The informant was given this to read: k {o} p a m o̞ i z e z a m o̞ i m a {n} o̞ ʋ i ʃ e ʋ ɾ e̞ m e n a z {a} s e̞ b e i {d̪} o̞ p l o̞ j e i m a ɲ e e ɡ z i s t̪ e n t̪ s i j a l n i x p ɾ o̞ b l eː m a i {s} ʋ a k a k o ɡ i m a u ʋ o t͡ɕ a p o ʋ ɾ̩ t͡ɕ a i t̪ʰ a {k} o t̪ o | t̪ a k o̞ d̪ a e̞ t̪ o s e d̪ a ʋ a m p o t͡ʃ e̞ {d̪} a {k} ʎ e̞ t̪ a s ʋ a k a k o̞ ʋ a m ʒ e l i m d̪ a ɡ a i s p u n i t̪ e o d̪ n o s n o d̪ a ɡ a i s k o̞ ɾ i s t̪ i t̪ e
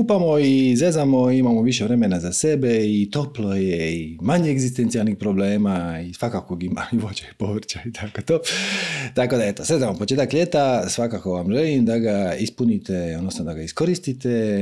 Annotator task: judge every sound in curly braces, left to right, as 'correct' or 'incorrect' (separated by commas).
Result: incorrect, incorrect, correct, incorrect, correct, correct, incorrect, correct